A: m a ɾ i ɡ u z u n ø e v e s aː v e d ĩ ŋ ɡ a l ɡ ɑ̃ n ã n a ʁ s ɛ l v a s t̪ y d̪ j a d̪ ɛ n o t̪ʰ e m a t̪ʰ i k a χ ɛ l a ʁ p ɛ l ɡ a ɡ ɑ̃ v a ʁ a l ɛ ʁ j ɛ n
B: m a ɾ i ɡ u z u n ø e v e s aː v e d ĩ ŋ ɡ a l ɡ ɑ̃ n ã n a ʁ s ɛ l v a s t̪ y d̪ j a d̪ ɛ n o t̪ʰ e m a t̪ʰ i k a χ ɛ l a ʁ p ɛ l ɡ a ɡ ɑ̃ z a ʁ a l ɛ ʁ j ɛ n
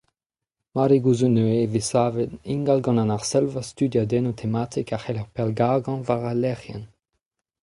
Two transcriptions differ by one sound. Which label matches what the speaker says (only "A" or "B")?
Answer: A